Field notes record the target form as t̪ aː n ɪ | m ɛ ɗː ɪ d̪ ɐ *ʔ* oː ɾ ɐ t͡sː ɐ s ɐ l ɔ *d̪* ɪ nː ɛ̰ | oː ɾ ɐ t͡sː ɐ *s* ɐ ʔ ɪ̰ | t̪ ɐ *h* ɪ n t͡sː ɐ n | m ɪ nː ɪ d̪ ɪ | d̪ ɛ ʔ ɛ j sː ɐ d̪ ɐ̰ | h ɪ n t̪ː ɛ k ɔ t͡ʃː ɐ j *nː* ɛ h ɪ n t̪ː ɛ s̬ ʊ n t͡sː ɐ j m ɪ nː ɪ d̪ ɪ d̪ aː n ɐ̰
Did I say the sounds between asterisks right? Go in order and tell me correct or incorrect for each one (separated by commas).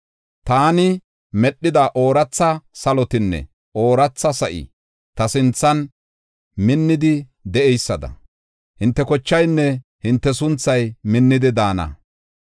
correct, incorrect, correct, incorrect, correct